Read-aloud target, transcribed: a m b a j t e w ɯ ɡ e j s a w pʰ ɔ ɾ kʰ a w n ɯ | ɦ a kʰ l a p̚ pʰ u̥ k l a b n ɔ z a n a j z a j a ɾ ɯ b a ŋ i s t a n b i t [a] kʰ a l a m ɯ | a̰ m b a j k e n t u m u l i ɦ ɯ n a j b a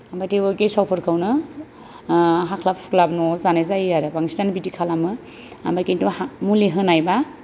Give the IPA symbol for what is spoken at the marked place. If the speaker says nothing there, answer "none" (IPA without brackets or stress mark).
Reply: i